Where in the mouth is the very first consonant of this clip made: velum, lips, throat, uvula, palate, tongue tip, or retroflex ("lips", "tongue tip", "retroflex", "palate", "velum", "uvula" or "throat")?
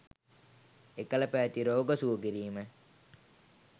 velum